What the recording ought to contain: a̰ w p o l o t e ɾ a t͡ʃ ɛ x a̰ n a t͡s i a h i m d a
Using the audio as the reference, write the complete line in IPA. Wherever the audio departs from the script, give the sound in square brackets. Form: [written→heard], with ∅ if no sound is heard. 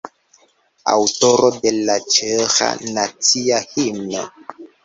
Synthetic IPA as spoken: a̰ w [p→t] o [l→ɾ] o [t→d] e [ɾ→l] a t͡ʃ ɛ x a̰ n a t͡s i a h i m [d→n] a